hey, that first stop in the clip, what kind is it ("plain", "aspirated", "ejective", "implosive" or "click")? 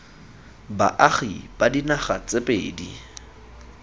plain